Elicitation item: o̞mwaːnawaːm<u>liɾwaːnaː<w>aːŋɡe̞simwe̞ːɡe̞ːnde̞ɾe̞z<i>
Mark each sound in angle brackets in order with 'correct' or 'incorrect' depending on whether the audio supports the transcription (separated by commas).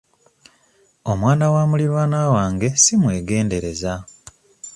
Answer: correct, correct, incorrect